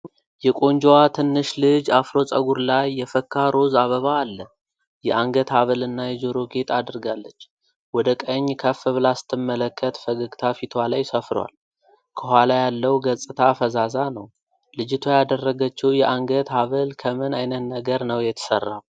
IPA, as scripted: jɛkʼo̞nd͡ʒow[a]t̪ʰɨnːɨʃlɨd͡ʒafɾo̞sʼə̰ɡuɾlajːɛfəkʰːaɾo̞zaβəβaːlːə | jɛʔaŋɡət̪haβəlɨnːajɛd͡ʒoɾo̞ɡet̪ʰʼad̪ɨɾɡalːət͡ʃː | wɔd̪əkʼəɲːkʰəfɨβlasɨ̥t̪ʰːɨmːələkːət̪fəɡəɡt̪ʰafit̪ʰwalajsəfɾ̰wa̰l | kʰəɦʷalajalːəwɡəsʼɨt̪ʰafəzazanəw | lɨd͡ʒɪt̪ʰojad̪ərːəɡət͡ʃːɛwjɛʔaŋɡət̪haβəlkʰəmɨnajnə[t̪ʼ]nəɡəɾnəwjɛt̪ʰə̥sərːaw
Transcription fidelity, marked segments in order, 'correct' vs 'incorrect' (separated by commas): correct, incorrect